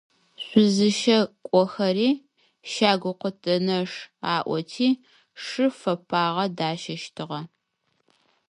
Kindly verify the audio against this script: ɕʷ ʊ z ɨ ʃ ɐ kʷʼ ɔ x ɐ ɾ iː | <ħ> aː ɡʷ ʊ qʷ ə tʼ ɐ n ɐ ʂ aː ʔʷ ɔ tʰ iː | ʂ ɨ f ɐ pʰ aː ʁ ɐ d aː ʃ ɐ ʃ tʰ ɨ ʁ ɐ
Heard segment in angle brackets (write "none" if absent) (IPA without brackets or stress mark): ʃ